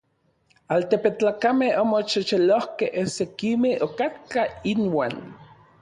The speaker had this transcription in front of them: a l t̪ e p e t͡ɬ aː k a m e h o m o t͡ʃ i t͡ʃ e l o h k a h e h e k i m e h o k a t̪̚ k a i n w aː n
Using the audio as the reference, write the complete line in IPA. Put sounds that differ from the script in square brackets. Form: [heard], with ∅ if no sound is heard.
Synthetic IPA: a l t̪ e p e t͡ɬ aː k a m e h o m o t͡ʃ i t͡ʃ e l o h k [e] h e [s] e k i m e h o k a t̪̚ k a i n w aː n